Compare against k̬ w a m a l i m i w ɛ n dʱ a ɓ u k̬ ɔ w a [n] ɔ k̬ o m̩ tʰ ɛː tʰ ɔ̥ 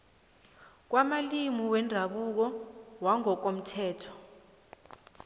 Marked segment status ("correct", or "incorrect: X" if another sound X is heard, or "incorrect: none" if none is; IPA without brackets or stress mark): incorrect: ŋ